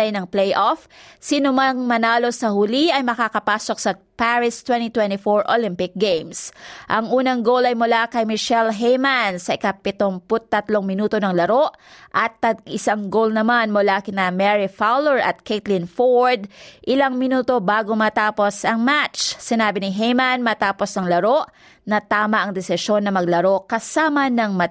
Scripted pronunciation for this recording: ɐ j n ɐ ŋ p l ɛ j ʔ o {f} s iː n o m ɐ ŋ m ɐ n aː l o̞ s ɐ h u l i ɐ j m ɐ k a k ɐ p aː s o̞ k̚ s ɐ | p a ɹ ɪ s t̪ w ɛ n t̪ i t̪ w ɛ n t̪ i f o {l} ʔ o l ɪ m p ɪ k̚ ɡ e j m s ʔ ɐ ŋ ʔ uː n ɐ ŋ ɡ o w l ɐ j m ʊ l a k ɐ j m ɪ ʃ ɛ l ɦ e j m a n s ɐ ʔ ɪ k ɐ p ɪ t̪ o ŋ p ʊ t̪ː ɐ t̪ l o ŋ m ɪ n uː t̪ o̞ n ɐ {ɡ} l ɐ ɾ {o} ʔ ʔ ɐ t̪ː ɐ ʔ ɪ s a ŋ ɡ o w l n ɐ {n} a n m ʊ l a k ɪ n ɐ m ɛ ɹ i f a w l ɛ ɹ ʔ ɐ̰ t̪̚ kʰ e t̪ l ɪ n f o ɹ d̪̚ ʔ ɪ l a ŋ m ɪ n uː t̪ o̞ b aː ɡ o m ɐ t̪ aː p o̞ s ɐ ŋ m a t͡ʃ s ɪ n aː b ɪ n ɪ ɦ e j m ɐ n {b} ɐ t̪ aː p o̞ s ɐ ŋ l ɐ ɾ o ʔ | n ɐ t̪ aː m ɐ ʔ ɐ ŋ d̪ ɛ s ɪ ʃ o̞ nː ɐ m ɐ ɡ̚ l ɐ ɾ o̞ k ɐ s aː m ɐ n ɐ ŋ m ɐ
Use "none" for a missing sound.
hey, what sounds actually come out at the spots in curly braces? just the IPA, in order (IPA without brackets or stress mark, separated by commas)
f, ɹ, ŋ, o, m, m